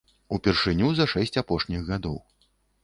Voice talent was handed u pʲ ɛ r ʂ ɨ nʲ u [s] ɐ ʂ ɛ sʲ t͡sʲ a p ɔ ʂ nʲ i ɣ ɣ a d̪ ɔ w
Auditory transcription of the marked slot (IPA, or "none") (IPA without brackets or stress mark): z